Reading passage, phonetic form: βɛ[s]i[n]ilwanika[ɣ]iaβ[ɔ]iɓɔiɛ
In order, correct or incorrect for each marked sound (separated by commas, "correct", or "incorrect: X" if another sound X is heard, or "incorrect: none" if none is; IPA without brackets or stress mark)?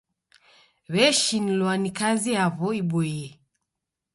incorrect: ʃ, correct, incorrect: z, correct